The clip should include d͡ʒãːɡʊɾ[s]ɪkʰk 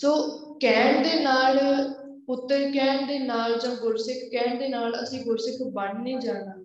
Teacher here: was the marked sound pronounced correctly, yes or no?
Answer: yes